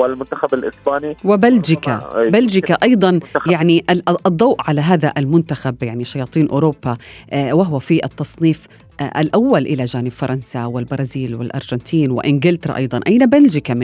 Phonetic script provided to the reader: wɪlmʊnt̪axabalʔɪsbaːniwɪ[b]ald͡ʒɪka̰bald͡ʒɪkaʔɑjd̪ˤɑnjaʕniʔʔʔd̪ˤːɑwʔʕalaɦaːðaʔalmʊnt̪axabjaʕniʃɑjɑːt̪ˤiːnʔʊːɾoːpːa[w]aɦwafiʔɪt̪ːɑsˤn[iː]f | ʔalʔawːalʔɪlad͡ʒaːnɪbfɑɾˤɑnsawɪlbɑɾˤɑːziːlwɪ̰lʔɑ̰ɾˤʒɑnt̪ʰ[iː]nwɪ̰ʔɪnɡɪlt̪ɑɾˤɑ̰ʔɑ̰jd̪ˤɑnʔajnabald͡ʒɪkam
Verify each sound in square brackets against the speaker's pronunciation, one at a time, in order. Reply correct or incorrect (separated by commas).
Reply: correct, correct, correct, correct